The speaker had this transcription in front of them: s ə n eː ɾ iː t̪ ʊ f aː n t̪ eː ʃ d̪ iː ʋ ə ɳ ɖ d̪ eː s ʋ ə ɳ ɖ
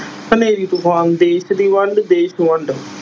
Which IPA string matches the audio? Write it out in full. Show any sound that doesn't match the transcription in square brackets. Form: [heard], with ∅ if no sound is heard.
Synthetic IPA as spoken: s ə n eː ɾ iː t̪ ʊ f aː n [d̪] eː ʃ d̪ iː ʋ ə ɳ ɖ d̪ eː [ʃ] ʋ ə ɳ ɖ